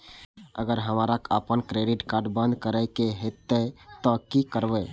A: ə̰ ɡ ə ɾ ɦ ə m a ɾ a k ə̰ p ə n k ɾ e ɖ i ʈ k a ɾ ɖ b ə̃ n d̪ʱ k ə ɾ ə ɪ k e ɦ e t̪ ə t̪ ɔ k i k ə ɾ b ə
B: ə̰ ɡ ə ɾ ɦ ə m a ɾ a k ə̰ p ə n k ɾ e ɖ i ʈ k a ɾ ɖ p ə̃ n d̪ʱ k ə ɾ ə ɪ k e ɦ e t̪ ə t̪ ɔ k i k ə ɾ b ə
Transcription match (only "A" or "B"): A